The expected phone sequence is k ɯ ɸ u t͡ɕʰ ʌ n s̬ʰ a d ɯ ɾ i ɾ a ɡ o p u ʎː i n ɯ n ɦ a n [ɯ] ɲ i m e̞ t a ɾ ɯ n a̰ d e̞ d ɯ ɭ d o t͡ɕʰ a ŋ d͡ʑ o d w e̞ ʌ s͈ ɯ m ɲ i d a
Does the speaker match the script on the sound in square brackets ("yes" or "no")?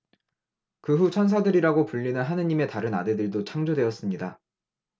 yes